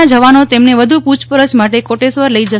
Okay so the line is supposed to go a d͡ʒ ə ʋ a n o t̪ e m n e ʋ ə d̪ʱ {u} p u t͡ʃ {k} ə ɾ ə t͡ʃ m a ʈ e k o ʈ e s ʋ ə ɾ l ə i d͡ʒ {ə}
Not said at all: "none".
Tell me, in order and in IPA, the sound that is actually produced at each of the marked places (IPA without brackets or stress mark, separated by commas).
u, p, ə